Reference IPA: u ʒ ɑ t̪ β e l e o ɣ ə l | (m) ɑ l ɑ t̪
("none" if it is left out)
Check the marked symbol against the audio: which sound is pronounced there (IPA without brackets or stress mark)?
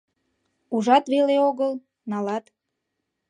n